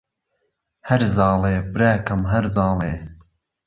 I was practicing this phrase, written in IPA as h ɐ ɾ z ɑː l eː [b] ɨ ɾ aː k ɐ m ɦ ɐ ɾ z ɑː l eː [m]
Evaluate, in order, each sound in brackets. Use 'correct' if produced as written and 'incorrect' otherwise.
correct, incorrect

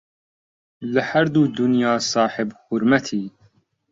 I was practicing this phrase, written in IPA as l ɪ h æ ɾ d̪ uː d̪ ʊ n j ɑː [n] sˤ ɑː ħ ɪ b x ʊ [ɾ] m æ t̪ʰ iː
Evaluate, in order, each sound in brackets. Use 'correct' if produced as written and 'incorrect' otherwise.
incorrect, correct

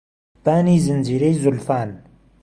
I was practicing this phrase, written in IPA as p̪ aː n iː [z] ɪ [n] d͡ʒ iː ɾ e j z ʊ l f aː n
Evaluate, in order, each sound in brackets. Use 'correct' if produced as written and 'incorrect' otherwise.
correct, correct

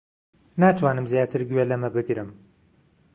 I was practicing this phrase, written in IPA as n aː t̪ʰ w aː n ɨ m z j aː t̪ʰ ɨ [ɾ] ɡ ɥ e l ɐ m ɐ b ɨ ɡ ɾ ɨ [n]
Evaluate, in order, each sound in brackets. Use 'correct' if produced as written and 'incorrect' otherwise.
correct, incorrect

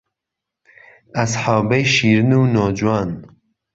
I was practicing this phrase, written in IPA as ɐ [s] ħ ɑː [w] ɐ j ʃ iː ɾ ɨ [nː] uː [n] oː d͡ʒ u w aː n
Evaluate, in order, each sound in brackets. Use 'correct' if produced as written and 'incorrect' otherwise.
correct, incorrect, incorrect, correct

